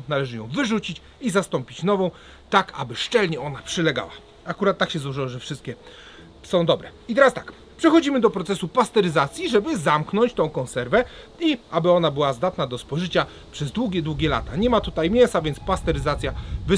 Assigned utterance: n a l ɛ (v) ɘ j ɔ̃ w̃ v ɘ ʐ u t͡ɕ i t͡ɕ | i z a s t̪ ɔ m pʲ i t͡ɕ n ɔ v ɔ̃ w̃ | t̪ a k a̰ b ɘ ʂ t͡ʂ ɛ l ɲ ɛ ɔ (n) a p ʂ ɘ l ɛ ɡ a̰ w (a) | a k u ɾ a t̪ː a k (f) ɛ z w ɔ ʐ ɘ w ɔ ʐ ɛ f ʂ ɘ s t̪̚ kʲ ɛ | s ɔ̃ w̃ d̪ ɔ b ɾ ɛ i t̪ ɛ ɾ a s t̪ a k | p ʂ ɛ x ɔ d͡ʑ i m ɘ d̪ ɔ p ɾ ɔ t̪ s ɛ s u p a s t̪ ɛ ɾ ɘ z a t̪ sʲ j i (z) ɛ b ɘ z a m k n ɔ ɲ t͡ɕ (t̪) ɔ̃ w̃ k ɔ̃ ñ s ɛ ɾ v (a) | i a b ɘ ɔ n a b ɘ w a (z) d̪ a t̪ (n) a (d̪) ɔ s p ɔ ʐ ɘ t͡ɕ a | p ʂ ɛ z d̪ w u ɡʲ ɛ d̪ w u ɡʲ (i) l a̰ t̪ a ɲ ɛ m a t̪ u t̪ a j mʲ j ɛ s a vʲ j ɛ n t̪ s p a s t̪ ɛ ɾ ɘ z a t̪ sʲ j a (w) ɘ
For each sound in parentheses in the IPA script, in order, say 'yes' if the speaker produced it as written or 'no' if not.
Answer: no, yes, yes, no, no, yes, no, yes, yes, yes, no, no

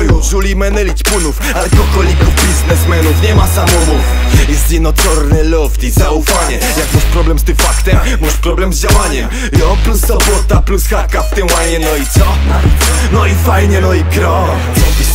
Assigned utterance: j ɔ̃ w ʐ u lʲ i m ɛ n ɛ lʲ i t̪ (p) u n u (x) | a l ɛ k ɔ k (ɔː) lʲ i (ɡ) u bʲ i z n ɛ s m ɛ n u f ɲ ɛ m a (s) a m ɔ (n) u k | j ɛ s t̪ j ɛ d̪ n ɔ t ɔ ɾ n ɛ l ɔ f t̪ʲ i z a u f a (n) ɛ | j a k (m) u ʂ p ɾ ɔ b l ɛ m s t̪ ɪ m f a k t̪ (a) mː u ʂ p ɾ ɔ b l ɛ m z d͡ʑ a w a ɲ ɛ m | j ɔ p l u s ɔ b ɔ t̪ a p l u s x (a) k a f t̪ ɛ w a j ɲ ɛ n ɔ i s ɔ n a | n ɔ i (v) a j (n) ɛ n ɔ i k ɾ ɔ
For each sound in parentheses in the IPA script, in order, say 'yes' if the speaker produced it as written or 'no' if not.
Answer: yes, no, no, no, yes, no, no, yes, no, yes, no, no

